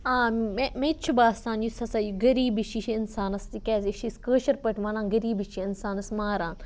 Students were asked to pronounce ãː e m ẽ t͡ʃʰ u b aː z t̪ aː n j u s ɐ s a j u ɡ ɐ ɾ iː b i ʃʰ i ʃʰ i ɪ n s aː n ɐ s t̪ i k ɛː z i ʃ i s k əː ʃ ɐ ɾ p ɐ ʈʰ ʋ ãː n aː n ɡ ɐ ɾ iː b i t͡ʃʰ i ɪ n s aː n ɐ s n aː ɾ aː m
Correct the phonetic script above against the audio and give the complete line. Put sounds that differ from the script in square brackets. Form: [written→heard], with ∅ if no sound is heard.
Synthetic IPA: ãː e m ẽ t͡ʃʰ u b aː [z→s] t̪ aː n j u s ɐ s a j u ɡ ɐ ɾ iː b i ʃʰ i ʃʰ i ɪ n s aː n ɐ s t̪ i k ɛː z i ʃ i s k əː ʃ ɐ ɾ p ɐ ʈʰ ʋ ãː n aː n ɡ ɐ ɾ iː b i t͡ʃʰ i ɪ n s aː n ɐ s [n→m] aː ɾ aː [m→n]